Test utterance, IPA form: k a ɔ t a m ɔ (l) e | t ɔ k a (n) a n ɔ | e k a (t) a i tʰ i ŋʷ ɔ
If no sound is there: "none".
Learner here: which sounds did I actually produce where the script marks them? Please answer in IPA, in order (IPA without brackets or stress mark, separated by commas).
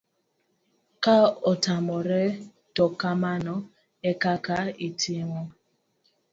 ɾ, m, k